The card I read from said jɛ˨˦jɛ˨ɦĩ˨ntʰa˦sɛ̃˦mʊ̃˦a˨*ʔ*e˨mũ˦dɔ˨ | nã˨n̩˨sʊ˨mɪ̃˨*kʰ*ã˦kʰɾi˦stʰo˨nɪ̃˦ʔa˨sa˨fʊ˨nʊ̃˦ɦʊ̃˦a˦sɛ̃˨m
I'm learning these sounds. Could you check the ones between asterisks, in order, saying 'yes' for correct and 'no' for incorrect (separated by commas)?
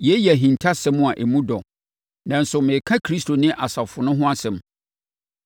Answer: yes, yes